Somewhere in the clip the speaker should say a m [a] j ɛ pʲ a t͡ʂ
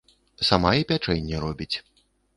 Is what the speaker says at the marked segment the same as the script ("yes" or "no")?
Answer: yes